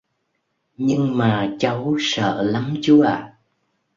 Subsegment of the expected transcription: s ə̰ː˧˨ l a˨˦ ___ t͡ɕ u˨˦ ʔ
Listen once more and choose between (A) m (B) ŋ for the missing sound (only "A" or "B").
A